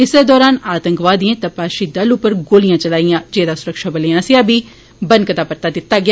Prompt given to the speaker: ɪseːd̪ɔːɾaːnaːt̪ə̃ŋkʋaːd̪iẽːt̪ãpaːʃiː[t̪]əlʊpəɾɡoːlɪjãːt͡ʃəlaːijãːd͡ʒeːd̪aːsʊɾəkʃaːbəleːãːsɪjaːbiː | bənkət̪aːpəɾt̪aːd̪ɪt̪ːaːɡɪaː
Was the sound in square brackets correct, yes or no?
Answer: no